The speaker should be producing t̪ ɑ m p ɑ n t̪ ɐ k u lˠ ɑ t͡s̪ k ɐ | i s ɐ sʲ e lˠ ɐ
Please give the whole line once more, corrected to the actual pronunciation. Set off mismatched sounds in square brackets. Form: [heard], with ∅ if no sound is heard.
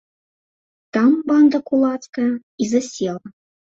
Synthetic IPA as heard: t̪ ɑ m [b] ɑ n [d̪] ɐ k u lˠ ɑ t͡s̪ k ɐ | i [z] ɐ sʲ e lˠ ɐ

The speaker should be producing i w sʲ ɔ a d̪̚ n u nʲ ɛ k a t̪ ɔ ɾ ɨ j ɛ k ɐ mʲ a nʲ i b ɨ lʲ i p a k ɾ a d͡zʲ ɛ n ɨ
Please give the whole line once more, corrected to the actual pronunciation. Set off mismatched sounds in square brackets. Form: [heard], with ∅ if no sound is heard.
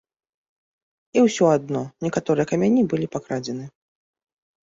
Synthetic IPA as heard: i w sʲ ɔ a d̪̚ n [ɔ] nʲ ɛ k a t̪ ɔ ɾ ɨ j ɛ k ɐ mʲ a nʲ i b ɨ lʲ i p a k ɾ a d͡zʲ ɛ n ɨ

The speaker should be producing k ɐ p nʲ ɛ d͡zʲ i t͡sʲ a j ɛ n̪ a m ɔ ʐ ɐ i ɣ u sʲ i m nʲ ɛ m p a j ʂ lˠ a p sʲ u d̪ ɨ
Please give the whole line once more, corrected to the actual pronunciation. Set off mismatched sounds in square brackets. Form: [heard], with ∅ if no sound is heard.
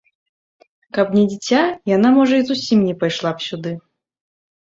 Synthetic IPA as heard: k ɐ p nʲ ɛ d͡zʲ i t͡sʲ a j [a] n̪ a m ɔ ʐ ɐ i [z] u sʲ i m nʲ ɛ [∅] p a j ʂ lˠ a p sʲ u d̪ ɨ

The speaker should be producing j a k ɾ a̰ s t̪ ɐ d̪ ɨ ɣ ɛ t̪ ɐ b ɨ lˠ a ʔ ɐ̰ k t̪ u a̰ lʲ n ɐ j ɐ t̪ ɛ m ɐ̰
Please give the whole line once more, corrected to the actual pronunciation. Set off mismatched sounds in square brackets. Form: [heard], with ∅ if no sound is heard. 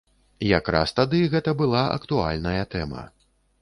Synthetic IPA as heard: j a k ɾ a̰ s t̪ [a] d̪ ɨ ɣ ɛ t̪ ɐ b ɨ lˠ a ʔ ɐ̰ k t̪ u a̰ lʲ n ɐ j ɐ t̪ ɛ m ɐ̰

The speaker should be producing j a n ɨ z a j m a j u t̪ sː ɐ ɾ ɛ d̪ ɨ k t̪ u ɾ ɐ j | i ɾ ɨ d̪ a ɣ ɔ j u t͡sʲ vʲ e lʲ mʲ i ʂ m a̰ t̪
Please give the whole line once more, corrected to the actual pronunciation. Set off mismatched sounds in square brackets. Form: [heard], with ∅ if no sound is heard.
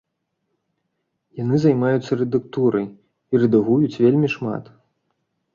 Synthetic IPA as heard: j a n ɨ z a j m a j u t̪ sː ɐ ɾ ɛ d̪ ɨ k t̪ u ɾ ɐ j | i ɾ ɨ d̪ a ɣ [u] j u t͡sʲ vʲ e lʲ mʲ i ʂ m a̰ t̪

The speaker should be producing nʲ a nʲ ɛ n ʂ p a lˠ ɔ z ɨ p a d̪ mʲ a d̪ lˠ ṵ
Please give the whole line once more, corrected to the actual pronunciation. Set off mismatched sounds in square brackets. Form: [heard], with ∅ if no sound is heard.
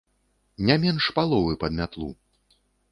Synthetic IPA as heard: nʲ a [mʲ] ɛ n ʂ p a lˠ ɔ [v] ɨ p [ɐ] d̪ mʲ a [t̪] lˠ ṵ

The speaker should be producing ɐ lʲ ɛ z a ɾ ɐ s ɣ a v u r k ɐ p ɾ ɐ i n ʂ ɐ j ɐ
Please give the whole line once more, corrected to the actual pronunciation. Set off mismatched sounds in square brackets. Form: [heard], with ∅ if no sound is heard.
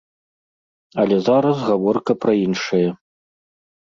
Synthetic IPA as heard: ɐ lʲ ɛ z a ɾ ɐ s ɣ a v [ɔ] r k ɐ p ɾ ɐ i n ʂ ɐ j ɐ

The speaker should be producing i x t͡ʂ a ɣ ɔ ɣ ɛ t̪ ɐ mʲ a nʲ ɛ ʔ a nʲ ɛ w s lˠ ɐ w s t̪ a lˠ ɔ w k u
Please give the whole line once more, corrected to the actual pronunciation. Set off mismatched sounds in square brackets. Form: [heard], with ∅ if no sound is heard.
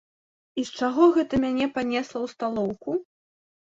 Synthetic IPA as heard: i [s] t͡ʂ a ɣ ɔ ɣ ɛ t̪ ɐ mʲ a nʲ ɛ [p] a nʲ ɛ [∅] s lˠ ɐ w s t̪ a lˠ ɔ w k u

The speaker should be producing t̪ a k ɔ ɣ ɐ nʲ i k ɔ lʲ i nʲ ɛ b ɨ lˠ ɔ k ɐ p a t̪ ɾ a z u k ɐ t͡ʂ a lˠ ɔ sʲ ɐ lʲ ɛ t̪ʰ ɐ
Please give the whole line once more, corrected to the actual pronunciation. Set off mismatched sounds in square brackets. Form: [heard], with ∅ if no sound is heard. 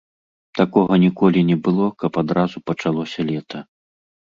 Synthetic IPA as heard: t̪ a k ɔ ɣ ɐ nʲ i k ɔ lʲ i nʲ ɛ b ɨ lˠ ɔ k ɐ p a [d̪] ɾ a z u [p] ɐ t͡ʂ a lˠ ɔ sʲ ɐ lʲ ɛ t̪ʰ ɐ

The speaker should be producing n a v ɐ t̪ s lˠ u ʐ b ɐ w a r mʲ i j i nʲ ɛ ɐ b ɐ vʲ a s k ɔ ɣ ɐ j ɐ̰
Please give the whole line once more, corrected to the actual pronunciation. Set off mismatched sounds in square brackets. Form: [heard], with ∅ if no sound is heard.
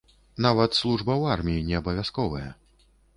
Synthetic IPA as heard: n a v ɐ t̪ s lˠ u ʐ b ɐ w a r mʲ i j i nʲ ɛ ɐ b ɐ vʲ a s k ɔ [v] ɐ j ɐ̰

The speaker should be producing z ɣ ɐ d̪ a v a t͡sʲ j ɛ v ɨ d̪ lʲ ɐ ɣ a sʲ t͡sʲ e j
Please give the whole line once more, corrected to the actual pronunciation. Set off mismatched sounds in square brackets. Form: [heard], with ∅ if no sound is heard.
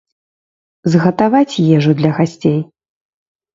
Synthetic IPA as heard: z ɣ ɐ [t̪] a v a t͡sʲ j ɛ [ʐ] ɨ d̪ lʲ ɐ ɣ a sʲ t͡sʲ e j

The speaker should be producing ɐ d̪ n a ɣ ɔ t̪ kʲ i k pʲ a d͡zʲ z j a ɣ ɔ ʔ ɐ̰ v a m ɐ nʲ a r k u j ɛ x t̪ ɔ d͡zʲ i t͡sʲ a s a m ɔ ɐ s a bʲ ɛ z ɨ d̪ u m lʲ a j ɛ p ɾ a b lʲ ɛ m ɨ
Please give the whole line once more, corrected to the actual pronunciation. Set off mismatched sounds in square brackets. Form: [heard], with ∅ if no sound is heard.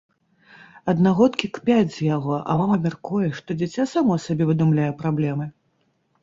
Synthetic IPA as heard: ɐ d̪ n a ɣ ɔ t̪ kʲ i k pʲ a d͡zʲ z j a ɣ ɔ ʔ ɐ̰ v a m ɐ [mʲ] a r k u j ɛ [ʂ] t̪ ɔ d͡zʲ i t͡sʲ a s a m ɔ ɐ s a bʲ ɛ [v] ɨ d̪ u m lʲ a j ɛ p ɾ a b lʲ ɛ m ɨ

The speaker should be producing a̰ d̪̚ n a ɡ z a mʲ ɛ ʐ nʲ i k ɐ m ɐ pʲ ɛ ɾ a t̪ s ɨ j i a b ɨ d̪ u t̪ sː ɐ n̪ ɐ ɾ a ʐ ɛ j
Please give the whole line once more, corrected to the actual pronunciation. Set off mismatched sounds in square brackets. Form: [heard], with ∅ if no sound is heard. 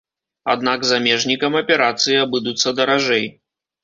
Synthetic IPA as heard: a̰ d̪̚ n a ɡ z a mʲ ɛ ʐ nʲ i k ɐ m ɐ pʲ ɛ ɾ a t̪ s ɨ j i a b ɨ d̪ u t̪ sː ɐ [d̪] ɐ ɾ a ʐ ɛ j

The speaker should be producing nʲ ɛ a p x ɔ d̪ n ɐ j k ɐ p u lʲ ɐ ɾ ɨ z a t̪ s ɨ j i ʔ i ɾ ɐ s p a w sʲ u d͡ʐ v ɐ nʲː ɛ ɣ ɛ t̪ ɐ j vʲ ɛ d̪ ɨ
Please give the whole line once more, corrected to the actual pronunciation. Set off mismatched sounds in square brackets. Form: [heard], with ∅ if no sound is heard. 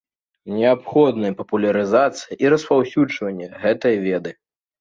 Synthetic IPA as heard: nʲ ɛ a p x ɔ d̪ n ɐ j [p] ɐ p u lʲ ɐ ɾ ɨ z a t̪ s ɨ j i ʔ i ɾ ɐ s p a w sʲ u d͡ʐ v ɐ nʲː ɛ ɣ ɛ t̪ ɐ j vʲ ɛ d̪ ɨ

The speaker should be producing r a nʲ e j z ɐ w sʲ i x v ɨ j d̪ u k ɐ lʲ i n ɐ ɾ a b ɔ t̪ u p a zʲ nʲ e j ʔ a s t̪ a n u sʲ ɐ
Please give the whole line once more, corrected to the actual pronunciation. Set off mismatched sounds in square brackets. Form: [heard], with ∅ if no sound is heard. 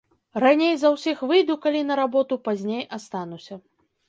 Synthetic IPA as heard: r a nʲ e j z ɐ w sʲ i x v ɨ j d̪ u k [a] lʲ i n ɐ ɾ a b ɔ t̪ u p a zʲ nʲ e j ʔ a s t̪ a n u sʲ ɐ

